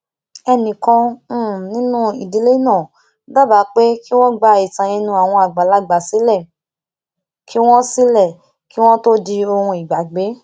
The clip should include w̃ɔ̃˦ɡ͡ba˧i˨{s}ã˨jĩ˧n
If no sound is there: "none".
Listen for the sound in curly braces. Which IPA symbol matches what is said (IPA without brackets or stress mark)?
t